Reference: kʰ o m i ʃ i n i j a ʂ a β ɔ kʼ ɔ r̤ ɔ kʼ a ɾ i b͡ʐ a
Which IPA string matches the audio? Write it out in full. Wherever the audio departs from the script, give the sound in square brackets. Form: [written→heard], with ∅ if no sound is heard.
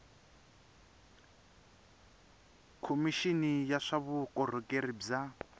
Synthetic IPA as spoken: kʰ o m i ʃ i n i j a ʂ a β [ɔ→u] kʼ ɔ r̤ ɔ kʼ [a→e] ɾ i b͡ʐ a